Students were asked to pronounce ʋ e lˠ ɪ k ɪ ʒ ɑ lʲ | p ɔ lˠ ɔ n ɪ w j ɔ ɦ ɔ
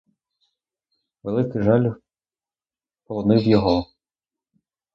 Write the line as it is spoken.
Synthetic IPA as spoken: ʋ e lˠ ɪ k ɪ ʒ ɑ lʲ | p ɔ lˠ ɔ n ɪ w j ɔ ɦ ɔ